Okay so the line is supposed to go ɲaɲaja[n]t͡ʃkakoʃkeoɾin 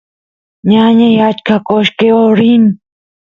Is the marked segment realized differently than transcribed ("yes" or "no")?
yes